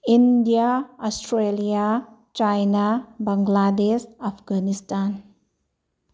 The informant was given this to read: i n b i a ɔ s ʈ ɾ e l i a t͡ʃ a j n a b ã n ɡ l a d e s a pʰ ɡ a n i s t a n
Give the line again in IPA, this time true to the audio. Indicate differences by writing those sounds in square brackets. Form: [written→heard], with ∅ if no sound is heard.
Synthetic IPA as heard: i n [b→d] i a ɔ s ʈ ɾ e l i a t͡ʃ a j n a b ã [n→ŋ] ɡ l a d e s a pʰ ɡ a n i s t a n